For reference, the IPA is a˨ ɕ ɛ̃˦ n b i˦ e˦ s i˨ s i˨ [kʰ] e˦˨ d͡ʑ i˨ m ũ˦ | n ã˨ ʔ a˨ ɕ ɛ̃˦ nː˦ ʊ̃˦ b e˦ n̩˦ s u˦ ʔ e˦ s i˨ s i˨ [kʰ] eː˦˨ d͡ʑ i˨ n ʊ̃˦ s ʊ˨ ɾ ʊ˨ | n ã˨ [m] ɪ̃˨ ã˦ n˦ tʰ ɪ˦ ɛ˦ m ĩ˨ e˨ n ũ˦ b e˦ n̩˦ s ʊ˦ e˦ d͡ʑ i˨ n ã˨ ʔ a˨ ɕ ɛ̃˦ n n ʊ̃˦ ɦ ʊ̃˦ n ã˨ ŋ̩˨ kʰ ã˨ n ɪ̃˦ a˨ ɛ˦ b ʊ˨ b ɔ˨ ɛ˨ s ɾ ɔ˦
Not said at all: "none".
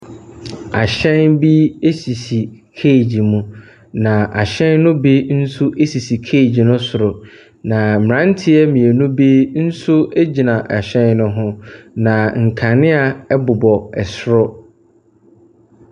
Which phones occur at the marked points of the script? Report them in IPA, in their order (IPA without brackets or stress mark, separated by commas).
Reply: kʰ, kʰ, m